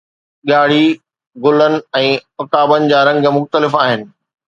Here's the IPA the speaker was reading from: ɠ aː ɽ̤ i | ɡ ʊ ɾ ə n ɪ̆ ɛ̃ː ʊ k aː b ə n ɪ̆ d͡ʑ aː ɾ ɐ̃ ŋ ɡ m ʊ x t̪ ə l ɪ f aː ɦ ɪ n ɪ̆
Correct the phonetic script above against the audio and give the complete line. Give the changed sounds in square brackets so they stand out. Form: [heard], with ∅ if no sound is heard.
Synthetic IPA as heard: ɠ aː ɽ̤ i | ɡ ʊ [l] ə n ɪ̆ ɛ̃ː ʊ k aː b ə n ɪ̆ d͡ʑ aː ɾ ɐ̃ ŋ ɡ m ʊ x t̪ ə l ɪ f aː ɦ ɪ n ɪ̆